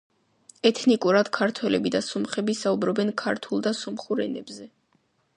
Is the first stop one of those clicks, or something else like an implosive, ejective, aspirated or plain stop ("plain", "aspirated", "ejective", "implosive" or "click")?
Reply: aspirated